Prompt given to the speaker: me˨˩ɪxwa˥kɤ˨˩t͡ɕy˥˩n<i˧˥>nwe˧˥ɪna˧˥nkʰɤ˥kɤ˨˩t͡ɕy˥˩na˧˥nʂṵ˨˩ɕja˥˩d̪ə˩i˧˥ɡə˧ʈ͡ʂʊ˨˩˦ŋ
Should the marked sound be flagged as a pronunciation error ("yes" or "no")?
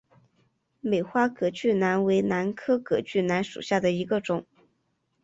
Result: yes